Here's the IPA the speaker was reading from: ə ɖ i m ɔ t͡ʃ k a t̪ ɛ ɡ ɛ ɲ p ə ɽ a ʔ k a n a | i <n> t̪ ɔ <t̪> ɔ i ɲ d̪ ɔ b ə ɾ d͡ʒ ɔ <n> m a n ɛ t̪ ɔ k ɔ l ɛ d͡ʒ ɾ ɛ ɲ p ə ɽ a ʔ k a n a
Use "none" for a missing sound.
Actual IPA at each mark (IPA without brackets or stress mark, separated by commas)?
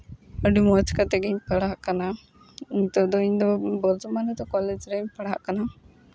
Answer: ɲ, d̪, none